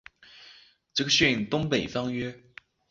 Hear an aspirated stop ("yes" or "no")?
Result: no